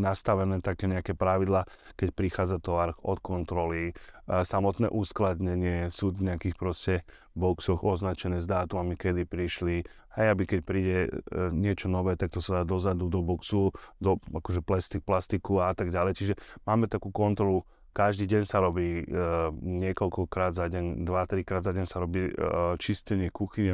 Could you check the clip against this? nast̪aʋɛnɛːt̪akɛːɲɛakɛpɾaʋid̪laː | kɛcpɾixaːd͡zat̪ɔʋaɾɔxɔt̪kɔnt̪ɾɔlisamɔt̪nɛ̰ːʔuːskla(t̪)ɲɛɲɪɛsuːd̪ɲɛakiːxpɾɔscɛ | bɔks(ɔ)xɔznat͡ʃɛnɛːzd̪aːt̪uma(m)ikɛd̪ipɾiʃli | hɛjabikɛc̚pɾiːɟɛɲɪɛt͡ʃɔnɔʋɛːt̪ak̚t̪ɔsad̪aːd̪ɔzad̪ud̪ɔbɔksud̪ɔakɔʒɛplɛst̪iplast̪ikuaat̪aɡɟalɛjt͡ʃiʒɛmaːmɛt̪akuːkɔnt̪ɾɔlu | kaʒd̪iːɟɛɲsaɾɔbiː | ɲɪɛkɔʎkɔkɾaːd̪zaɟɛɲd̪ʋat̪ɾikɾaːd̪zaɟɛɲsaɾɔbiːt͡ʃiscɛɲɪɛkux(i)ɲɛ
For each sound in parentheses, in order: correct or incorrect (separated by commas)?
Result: incorrect, correct, correct, correct